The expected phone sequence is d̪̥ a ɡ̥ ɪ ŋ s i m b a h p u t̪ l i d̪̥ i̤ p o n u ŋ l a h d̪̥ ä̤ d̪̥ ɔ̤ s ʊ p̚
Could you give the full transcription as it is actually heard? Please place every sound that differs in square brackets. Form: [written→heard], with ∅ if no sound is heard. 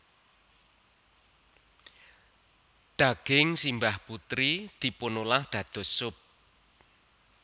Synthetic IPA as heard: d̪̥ a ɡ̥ ɪ ŋ s i m b a h p u t̪ [l→ɾ] i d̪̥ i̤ p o n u [ŋ→∅] l a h d̪̥ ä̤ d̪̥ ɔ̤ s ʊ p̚